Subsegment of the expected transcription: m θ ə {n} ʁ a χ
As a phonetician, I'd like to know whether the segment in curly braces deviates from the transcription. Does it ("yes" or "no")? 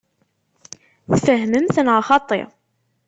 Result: no